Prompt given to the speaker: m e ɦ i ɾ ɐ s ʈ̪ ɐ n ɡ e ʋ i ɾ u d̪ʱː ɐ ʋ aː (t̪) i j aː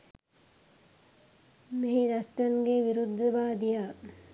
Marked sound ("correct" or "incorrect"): incorrect